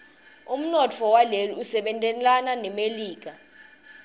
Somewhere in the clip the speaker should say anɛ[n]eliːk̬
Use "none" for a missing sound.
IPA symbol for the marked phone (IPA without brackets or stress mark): m